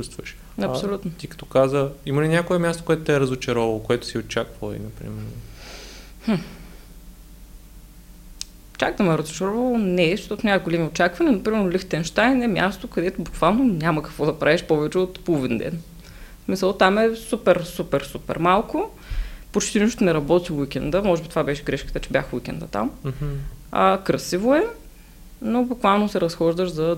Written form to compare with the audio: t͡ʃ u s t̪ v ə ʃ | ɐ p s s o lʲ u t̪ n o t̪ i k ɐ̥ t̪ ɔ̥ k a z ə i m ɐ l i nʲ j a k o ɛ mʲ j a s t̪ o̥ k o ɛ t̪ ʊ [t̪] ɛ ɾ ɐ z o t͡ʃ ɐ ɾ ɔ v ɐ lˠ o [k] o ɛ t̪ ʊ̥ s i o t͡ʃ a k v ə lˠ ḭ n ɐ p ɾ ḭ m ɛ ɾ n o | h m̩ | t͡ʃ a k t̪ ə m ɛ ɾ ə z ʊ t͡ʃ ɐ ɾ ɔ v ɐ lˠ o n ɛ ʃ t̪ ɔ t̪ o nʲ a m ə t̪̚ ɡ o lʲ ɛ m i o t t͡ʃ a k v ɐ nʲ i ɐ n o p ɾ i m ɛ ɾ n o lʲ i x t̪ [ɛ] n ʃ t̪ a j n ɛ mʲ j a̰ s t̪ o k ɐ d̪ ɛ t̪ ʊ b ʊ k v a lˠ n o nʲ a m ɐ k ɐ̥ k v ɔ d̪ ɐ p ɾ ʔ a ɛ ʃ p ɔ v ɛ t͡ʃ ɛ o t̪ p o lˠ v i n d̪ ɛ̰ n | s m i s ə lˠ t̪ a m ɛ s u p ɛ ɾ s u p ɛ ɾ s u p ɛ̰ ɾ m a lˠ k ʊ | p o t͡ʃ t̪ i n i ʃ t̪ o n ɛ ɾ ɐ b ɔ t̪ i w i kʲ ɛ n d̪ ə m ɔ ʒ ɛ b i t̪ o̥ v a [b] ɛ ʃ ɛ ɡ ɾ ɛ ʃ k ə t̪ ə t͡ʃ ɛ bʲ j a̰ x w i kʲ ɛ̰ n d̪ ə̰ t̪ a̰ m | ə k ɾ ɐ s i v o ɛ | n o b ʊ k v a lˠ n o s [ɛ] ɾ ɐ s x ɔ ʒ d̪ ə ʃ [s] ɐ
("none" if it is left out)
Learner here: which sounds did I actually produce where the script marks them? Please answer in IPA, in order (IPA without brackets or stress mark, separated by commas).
t̪, k, ɛ, b, ɛ, z